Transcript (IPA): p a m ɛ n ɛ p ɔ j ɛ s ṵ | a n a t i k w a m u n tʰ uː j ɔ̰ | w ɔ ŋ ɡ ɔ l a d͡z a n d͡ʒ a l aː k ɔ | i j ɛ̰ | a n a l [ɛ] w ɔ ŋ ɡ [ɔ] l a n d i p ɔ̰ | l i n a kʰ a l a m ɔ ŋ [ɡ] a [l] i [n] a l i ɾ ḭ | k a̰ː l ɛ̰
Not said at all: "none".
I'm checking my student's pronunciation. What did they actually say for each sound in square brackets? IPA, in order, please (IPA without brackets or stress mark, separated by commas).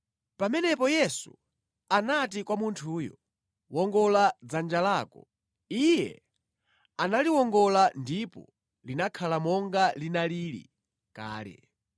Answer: i, ɔ, ɡ, l, n